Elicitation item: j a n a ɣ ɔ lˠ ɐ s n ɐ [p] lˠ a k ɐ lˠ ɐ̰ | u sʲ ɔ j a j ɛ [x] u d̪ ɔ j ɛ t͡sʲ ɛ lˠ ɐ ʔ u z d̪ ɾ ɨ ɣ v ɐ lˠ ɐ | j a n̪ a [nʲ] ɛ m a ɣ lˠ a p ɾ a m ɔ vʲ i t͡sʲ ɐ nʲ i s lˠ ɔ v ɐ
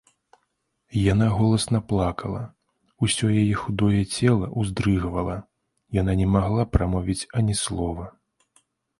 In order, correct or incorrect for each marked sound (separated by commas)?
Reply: correct, correct, correct